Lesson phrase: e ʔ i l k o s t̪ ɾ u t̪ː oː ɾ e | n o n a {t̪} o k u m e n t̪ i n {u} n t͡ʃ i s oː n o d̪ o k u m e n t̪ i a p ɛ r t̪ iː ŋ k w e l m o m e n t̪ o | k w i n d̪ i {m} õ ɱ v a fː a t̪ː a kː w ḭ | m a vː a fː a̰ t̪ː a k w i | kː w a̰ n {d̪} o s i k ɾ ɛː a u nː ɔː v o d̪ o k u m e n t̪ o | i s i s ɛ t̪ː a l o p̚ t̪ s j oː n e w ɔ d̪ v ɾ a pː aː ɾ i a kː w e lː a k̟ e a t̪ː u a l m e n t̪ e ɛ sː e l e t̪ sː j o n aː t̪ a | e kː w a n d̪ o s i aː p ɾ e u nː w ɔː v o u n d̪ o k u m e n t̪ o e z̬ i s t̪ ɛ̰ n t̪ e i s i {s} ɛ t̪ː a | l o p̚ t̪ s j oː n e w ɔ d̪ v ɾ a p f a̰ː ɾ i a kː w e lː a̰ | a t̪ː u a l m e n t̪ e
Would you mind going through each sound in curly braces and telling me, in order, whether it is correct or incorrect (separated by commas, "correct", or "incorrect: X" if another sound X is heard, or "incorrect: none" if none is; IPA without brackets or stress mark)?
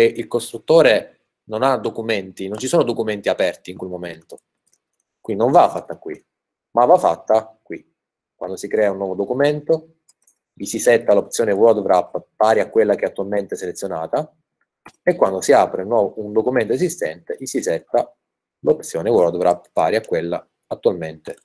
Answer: incorrect: d̪, incorrect: o, incorrect: n, correct, correct